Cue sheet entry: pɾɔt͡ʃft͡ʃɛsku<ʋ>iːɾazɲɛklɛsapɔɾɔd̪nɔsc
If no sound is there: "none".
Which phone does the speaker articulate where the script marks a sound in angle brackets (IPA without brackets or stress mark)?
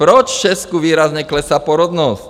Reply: ʋ